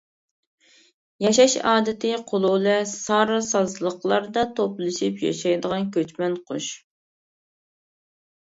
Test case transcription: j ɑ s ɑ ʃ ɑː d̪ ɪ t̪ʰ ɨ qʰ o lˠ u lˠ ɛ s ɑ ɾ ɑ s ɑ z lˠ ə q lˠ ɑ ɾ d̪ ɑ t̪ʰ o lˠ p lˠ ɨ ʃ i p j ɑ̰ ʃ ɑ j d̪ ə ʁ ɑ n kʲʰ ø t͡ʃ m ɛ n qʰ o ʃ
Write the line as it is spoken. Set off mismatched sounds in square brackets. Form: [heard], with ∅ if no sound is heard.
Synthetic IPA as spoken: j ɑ [ʃ] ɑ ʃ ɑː d̪ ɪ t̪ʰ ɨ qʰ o lˠ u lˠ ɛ s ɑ ɾ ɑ s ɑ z lˠ ə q lˠ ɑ ɾ d̪ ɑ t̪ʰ o [∅] p lˠ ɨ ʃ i p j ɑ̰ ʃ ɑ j d̪ ə ʁ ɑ n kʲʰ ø t͡ʃ m ɛ n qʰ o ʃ